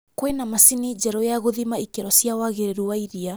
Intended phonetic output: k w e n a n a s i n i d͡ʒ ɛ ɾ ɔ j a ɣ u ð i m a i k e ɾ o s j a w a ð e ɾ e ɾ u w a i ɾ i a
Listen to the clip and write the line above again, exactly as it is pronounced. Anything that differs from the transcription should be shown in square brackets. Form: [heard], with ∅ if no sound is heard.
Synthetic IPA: k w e n a [m] a s i n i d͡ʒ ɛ ɾ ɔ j a ɣ [o] ð i m a i k e ɾ [ɔ] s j a w a [ɣ] e ɾ e ɾ u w a i ɾ i a